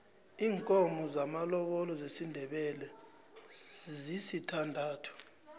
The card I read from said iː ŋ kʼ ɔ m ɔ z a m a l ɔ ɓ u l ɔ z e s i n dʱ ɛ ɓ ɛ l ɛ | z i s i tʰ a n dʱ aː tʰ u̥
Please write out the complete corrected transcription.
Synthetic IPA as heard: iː ŋ kʼ ɔ m ɔ z a m a l ɔ ɓ ɔ l ɔ z e s i n dʱ ɛ ɓ ɛ l ɛ | z i s i tʰ a n dʱ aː tʰ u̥